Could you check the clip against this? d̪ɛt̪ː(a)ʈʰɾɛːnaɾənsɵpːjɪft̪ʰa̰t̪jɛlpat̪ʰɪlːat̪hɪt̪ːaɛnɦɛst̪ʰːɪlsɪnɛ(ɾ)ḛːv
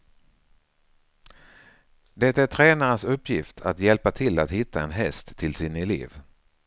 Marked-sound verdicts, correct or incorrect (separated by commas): incorrect, incorrect